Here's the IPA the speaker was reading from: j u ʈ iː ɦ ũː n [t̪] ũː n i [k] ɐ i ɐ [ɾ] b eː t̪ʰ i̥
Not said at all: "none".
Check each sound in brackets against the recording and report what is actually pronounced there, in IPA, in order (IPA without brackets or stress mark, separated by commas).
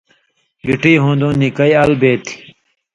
d̪, k, l